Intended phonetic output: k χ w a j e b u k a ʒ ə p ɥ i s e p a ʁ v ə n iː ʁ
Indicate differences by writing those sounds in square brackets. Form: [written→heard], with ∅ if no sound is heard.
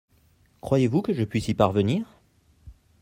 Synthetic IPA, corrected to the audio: k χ w a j e [b→v] u k [a→ə] ʒ ə p ɥ i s [e→i] p a ʁ v ə n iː ʁ